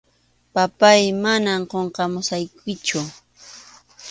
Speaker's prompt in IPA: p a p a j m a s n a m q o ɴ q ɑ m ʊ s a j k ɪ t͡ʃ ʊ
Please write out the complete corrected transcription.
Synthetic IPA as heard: p a p a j m a n a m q o ɴ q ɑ m ʊ s a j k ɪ t͡ʃ ʊ